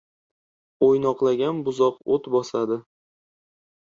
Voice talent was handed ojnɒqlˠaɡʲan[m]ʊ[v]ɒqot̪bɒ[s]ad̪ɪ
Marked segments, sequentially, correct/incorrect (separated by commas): incorrect, incorrect, correct